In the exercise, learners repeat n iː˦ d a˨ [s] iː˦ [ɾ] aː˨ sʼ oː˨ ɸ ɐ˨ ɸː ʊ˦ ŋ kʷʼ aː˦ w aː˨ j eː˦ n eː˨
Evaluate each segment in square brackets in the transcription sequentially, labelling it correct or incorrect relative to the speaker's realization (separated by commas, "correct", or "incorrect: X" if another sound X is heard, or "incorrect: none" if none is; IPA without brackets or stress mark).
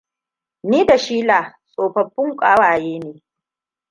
incorrect: ʃ, incorrect: l